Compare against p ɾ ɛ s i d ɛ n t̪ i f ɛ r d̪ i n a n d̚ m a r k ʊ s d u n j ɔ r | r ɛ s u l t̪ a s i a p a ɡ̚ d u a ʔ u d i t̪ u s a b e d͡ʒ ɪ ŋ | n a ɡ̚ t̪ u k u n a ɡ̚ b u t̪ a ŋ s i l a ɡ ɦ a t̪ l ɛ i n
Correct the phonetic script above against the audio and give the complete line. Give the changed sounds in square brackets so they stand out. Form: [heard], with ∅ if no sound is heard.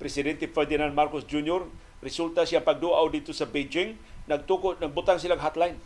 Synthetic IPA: p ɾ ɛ s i d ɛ n t̪ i f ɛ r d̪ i n a n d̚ m a r k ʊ s [d͡ʒ] u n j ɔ r | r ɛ s u l t̪ a s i a p a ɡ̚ d u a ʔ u d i t̪ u s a b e d͡ʒ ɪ ŋ | n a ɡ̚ t̪ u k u n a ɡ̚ b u t̪ a ŋ s i l a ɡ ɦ a t̪ l [a] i n